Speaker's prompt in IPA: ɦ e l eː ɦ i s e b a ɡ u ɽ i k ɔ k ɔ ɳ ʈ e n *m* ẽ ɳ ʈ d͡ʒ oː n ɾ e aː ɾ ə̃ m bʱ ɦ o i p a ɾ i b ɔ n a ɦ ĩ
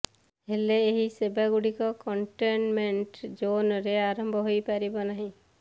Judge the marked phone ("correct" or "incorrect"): correct